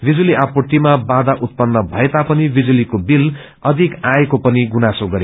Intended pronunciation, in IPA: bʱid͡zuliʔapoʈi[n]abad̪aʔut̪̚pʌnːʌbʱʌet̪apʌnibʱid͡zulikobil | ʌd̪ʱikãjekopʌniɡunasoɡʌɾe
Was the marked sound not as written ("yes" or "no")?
yes